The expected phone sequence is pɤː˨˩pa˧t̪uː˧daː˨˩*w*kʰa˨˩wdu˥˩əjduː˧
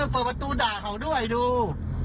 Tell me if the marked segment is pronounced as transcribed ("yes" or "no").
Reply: no